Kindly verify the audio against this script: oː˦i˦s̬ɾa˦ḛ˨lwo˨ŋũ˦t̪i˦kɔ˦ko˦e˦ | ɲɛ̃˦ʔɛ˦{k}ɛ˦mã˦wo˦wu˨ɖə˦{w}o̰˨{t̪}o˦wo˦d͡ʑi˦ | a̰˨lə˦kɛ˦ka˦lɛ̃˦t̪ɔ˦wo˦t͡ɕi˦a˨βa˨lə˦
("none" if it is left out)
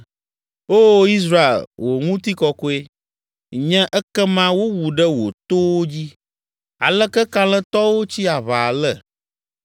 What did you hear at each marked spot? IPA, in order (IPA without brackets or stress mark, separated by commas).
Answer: k, w, t̪